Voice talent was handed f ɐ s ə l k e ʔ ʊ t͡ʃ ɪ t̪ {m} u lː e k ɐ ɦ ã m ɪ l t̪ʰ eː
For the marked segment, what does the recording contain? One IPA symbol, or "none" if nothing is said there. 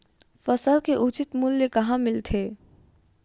m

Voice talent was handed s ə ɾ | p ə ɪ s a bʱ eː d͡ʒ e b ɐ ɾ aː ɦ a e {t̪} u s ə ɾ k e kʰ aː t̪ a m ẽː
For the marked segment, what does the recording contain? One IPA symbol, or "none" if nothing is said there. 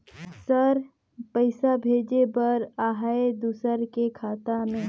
d̪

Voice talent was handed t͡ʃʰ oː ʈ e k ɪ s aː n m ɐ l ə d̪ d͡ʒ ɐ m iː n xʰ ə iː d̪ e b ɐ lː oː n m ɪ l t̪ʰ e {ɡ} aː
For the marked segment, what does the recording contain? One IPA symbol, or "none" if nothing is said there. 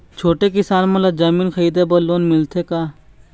k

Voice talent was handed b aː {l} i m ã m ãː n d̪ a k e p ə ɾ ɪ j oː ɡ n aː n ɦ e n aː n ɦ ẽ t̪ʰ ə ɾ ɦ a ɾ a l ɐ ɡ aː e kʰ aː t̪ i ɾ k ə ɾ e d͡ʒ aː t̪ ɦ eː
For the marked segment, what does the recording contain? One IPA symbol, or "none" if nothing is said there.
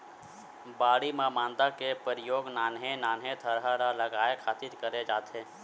ɽ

